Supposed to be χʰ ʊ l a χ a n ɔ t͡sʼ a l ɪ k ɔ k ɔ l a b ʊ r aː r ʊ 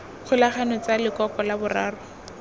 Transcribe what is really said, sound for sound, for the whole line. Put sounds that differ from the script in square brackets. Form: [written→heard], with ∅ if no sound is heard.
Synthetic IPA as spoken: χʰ ʊ l a χ a n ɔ [t͡sʼ→t͡s] a l ɪ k ɔ k ɔ l a b ʊ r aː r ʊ